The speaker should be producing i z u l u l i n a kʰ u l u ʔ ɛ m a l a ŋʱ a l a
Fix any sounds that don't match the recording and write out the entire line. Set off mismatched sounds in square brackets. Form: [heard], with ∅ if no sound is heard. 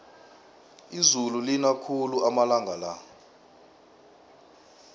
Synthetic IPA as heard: i z u l u l i n a kʰ u l u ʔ [a] m a l a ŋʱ a l a